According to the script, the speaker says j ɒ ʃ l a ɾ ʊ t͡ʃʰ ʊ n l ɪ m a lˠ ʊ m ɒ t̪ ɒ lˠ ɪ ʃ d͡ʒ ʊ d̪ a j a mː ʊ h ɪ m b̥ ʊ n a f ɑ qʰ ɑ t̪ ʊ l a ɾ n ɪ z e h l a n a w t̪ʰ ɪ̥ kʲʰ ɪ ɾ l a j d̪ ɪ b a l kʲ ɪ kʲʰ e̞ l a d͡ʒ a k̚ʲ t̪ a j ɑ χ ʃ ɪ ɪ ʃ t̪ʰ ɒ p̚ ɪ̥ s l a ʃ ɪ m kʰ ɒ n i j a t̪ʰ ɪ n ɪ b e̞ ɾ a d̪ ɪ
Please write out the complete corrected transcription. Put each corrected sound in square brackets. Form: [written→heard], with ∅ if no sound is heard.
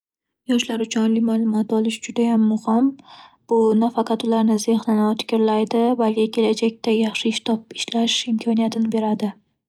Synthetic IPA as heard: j ɒ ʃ l a ɾ ʊ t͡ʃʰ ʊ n l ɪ m a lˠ ʊ m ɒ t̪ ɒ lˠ ɪ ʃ d͡ʒ ʊ d̪ a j a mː ʊ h ɪ m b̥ ʊ n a f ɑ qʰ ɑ t̪ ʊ l a ɾ n ɪ z e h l a n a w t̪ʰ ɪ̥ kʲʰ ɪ ɾ l a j d̪ ɪ b a l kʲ ɪ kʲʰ e̞ l a d͡ʒ a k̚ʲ t̪ a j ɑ χ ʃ ɪ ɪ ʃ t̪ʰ ɒ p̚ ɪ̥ [s→ʃ] l a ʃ ɪ m kʰ ɒ n i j a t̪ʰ ɪ n ɪ b e̞ ɾ a d̪ ɪ

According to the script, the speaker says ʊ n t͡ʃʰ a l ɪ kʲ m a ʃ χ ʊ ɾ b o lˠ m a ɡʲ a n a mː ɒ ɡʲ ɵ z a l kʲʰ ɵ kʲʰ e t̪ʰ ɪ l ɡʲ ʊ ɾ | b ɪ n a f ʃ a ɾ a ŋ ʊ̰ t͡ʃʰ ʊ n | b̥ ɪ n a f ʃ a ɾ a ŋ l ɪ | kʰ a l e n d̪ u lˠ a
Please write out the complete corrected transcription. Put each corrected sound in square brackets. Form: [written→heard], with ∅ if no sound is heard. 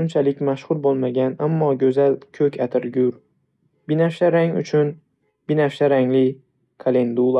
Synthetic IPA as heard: ʊ n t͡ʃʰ a l ɪ kʲ m a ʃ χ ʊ ɾ b o lˠ m a ɡʲ a n a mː ɒ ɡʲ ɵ z a l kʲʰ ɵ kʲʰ [e→a] t̪ʰ ɪ [l→ɾ] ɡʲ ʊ ɾ | b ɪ n a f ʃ a ɾ a ŋ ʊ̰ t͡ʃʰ ʊ n | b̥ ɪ n a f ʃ a ɾ a ŋ l ɪ | kʰ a l e n d̪ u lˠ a

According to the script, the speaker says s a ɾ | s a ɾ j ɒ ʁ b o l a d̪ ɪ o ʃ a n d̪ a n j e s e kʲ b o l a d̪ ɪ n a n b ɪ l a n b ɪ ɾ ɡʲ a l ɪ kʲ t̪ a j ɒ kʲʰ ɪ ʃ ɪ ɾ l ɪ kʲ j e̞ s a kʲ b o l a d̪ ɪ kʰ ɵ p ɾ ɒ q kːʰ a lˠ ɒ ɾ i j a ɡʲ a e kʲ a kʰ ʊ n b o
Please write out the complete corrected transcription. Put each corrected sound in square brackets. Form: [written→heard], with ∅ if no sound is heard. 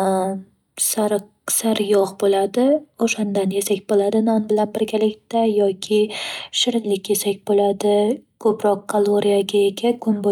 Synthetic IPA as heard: s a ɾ | s a ɾ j ɒ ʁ b o l a d̪ ɪ o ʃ a n d̪ a n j e s [e→a] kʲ b o l a d̪ ɪ n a n b ɪ l a n b ɪ ɾ ɡʲ a l ɪ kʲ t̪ a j ɒ kʲʰ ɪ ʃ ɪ ɾ l ɪ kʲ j e̞ s a kʲ b o l a d̪ ɪ kʰ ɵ p ɾ ɒ q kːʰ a lˠ [ɒ→o] ɾ i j a ɡʲ a e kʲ a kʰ ʊ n b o

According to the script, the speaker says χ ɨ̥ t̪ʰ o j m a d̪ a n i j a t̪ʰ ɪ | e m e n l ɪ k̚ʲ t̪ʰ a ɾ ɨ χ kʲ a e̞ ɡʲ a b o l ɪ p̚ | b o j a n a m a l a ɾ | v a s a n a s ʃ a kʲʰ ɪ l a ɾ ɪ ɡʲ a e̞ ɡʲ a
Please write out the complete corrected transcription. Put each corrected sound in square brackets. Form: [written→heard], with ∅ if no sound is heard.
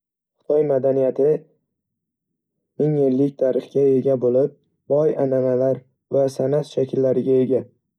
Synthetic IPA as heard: χ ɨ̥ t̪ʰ [o→ɒ] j m a d̪ a n i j a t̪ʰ ɪ | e [m→ŋ] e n l ɪ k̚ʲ t̪ʰ a ɾ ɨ χ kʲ a e̞ ɡʲ a b o l ɪ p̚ | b [o→ɒ] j a n a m a l a ɾ | v a s a n a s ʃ a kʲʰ ɪ [l→lː] a ɾ ɪ ɡʲ a e̞ ɡʲ a

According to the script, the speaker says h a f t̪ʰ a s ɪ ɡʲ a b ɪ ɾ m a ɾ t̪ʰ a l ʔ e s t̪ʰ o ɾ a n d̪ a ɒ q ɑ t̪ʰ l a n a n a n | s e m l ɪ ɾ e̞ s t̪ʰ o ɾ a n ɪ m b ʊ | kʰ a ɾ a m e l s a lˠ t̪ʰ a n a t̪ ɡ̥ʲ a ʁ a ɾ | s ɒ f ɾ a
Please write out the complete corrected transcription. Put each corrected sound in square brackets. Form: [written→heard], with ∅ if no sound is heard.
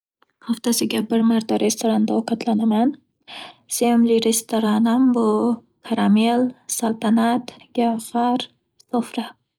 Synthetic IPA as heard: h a f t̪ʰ a s ɪ ɡʲ a b ɪ ɾ m a ɾ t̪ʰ a [l→ɾ] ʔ e s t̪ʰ o ɾ a n d̪ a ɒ q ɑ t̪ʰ l a n a [n→m] a n | s e m l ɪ ɾ e̞ s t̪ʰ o ɾ a n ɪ m b ʊ | kʰ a ɾ a m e l s a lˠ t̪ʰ a n a t̪ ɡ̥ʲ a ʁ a ɾ | s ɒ f ɾ a

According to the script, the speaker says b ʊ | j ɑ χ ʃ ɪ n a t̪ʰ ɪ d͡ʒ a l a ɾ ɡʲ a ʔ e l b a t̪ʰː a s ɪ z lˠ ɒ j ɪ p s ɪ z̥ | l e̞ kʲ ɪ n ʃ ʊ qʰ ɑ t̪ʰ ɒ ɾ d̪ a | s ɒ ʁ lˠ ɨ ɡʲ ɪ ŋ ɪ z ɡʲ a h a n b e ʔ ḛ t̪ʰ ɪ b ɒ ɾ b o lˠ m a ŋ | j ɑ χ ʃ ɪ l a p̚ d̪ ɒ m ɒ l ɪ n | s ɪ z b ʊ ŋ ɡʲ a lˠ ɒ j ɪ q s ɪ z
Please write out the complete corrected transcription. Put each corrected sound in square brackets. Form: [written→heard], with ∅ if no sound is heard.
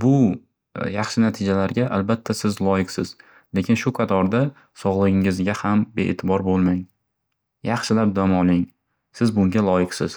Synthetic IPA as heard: b ʊ | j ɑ χ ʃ ɪ n a t̪ʰ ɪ d͡ʒ a l a ɾ ɡʲ a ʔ [e→a] l b a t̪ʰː a s ɪ z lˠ ɒ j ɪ [p→q] s ɪ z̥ | l e̞ kʲ ɪ n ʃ ʊ qʰ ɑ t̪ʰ ɒ ɾ d̪ a | s ɒ ʁ lˠ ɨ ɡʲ ɪ ŋ ɪ z ɡʲ a h a [n→m] b e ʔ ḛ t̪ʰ ɪ b ɒ ɾ b o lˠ m a ŋ | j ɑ χ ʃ ɪ l a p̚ d̪ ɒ m ɒ l ɪ [n→ŋ] | s ɪ z b ʊ ŋ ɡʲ a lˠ ɒ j ɪ q s ɪ z

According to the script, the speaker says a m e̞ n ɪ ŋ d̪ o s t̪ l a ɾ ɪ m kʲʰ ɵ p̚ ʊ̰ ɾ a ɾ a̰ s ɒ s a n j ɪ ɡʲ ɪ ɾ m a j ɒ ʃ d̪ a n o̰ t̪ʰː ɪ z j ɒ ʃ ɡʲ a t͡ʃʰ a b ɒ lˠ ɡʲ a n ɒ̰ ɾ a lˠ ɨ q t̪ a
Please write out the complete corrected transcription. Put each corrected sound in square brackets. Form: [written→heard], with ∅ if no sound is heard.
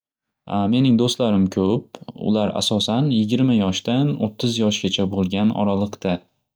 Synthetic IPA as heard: a m e̞ n ɪ ŋ d̪ o s t̪ l a ɾ ɪ m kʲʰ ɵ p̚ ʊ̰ [ɾ→l] a ɾ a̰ s ɒ s a n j ɪ ɡʲ ɪ ɾ m a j ɒ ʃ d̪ a n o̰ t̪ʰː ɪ z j ɒ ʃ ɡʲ a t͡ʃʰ a b [ɒ→o] lˠ ɡʲ a n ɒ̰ ɾ a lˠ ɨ q t̪ a

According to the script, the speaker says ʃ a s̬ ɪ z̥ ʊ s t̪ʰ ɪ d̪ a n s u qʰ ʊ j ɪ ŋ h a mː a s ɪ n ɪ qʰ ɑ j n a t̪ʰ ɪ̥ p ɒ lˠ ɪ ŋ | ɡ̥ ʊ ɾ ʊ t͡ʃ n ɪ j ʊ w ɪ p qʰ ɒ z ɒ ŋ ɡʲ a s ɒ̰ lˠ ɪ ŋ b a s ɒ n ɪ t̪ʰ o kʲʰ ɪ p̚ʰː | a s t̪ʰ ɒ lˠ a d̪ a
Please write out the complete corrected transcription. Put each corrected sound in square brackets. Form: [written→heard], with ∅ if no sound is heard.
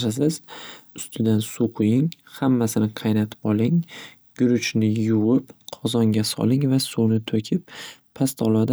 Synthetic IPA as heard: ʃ a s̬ ɪ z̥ ʊ s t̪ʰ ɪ d̪ a n s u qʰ ʊ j ɪ ŋ h a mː a s ɪ n ɪ qʰ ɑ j n a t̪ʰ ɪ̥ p ɒ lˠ ɪ ŋ | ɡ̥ ʊ ɾ ʊ t͡ʃ n ɪ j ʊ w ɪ p qʰ ɒ z ɒ ŋ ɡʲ a s ɒ̰ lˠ ɪ ŋ [b→v] a s [ɒ→u] n ɪ t̪ʰ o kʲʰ ɪ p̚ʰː | a s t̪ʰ ɒ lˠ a d̪ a

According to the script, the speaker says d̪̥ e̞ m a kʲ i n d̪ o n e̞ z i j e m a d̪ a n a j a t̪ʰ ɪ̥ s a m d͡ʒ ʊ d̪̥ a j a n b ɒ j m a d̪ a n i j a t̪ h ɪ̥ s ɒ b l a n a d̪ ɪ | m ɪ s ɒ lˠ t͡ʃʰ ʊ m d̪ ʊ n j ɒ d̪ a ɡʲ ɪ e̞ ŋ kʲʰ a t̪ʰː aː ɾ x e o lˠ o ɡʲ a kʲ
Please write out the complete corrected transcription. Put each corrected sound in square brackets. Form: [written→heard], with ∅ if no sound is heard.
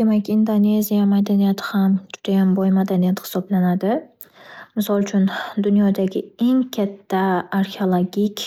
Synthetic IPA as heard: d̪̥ e̞ m a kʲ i n d̪ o n e̞ z i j [e→a] m a d̪ a n [a→i] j a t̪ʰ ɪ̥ [s→h] a m d͡ʒ ʊ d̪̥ a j a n b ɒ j m a d̪ a n i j a t̪ h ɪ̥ s ɒ b l a n a d̪ ɪ | m ɪ s ɒ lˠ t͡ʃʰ ʊ [m→n] d̪ ʊ n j ɒ d̪ a ɡʲ ɪ e̞ ŋ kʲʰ a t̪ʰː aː ɾ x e o lˠ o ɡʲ [a→i] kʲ

